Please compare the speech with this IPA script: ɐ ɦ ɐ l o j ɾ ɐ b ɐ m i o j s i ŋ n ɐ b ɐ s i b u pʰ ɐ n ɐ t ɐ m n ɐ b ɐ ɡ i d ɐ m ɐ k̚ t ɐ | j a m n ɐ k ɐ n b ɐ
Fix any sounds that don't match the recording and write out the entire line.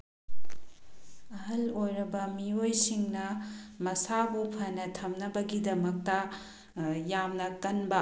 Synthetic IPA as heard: ɐ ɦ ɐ l o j ɾ ɐ b ɐ m i o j s i ŋ n ɐ m ɐ s a b u pʰ ɐ n ɐ tʰ ɐ m n ɐ b ɐ ɡ i d ɐ m ɐ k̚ t ɐ | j a m n ɐ k ɐ n b ɐ